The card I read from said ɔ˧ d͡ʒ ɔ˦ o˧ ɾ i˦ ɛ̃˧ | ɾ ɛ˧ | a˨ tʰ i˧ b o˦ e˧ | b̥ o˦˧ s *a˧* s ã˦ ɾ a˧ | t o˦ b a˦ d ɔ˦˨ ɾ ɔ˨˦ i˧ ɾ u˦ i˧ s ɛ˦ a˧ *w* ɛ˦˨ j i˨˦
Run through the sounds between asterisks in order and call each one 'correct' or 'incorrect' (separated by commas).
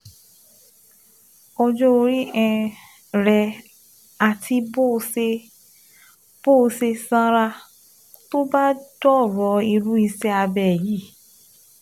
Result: incorrect, incorrect